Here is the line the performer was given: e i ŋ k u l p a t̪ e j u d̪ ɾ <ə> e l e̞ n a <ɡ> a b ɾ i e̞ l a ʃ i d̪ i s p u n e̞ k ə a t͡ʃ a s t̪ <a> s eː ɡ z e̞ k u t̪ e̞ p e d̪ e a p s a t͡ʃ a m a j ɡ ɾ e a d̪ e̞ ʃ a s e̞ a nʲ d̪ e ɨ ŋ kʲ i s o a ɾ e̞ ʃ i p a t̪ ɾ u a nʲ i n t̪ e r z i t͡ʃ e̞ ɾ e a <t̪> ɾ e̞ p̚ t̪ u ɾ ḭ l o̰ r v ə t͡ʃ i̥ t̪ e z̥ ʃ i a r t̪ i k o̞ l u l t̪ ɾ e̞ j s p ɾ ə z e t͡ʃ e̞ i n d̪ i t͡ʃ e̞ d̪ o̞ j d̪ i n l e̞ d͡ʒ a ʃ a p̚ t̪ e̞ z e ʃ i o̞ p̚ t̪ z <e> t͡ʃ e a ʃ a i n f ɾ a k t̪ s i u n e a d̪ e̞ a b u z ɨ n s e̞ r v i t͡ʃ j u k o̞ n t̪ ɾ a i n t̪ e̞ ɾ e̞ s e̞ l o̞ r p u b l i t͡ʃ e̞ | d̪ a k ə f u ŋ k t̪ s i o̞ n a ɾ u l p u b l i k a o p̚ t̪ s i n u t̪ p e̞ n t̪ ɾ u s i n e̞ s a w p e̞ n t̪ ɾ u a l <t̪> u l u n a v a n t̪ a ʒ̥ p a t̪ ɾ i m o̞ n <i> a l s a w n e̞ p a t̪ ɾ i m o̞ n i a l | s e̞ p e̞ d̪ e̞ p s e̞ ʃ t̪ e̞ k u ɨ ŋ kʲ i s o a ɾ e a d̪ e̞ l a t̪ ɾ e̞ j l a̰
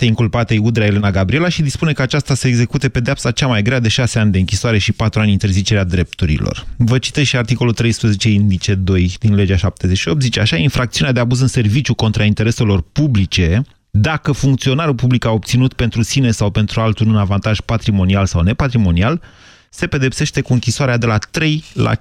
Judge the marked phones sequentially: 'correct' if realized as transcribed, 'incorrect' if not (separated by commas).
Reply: incorrect, correct, correct, incorrect, incorrect, correct, correct